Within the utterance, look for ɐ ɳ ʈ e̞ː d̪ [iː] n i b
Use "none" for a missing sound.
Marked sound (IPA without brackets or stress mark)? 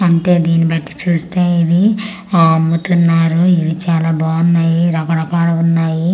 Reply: iː